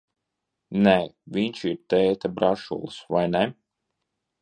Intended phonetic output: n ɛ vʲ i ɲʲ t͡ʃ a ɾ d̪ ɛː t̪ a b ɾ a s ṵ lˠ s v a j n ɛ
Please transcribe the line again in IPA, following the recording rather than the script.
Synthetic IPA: n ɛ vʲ i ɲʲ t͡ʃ i ɾ t̪ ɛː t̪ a b ɾ a ʃ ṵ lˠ s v a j n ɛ

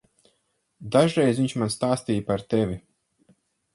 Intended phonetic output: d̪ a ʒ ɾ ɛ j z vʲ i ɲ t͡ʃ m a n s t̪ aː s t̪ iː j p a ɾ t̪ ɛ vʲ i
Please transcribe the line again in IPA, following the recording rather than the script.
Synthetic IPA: d̪ a ʒ ɾ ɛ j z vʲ i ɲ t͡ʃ m a n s t̪ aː s t̪ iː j p a ɾ t̪ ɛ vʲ i

